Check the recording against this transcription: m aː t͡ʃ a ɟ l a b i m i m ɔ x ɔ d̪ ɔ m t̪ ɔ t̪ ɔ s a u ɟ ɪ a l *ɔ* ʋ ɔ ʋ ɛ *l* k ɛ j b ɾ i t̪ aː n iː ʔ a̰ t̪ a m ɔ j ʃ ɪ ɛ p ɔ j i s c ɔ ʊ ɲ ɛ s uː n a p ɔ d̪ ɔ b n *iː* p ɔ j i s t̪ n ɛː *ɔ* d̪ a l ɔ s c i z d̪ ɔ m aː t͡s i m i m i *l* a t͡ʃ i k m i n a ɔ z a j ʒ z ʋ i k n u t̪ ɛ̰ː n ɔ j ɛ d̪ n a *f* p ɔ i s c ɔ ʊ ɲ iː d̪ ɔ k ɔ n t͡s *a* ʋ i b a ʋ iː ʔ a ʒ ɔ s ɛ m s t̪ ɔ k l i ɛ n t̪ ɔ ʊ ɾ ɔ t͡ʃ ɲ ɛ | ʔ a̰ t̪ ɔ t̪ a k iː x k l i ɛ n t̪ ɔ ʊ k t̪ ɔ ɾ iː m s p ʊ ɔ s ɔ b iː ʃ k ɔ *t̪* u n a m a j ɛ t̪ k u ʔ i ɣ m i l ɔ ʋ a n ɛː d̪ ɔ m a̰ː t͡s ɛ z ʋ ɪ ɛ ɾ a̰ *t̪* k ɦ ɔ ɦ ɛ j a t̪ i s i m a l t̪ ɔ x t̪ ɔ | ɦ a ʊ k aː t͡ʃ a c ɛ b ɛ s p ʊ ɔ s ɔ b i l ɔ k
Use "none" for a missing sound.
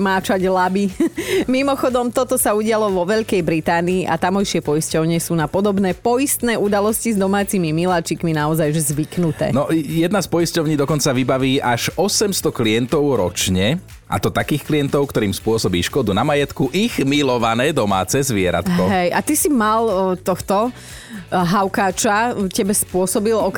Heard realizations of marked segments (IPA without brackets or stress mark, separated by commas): ɔ, ʎ, ɛː, u, l, s, a, d̪, t̪